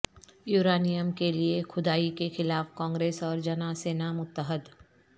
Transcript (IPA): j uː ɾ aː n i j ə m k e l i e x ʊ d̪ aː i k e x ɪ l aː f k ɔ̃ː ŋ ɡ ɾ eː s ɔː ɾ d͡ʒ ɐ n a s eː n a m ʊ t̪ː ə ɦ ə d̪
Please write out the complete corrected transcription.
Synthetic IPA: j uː ɾ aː n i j ə m k e l i e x ʊ d̪ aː i k e x ɪ l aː f k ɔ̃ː ŋ ɡ ɾ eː s ɔː ɾ d͡ʒ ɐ n a s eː n a m ʊ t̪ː ə ɦ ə d̪